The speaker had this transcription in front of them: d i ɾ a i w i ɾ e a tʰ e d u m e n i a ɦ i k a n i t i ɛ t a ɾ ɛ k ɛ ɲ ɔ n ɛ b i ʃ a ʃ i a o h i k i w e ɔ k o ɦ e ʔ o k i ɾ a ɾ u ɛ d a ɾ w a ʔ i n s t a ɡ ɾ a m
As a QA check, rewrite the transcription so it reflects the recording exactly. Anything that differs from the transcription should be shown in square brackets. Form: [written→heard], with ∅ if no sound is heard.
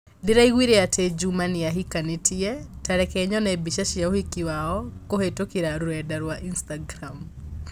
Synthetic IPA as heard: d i ɾ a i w i ɾ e a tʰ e [d→d͡ʒ] u m [e→a] n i a ɦ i k a n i t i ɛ t a ɾ ɛ k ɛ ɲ ɔ n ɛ b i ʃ a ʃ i a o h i k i w [e→a] ɔ k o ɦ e [ʔ→t] o k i ɾ a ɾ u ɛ d a ɾ w a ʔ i n s t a ɡ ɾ a m